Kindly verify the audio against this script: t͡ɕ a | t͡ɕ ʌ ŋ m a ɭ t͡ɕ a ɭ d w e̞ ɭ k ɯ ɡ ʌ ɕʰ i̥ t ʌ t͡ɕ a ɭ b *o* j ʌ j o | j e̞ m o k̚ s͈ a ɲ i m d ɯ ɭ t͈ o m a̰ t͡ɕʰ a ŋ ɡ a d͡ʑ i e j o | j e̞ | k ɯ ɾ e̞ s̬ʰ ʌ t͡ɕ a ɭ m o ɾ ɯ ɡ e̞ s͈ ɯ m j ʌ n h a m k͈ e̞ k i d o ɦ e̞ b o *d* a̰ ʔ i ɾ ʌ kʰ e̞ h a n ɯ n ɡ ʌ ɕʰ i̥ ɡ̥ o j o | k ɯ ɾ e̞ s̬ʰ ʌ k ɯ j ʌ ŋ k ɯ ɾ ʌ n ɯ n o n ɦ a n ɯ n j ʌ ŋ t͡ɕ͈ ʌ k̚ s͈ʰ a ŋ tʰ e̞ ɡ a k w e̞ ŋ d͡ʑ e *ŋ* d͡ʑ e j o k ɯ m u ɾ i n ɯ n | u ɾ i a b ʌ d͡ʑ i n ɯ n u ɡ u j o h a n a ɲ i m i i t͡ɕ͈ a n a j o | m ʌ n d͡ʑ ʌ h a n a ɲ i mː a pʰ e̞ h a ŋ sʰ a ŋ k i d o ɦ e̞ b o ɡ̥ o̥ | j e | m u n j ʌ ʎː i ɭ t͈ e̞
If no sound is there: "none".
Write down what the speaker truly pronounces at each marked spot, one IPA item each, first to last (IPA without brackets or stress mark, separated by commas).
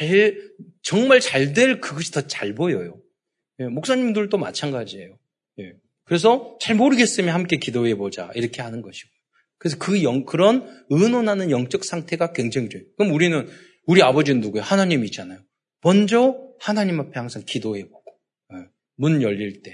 o, d͡ʑ, ŋ